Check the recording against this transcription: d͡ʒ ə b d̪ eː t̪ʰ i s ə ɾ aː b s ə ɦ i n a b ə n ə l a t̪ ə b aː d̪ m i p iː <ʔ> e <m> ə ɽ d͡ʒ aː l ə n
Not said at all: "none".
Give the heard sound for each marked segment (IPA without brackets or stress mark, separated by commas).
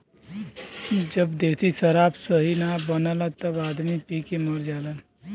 k, m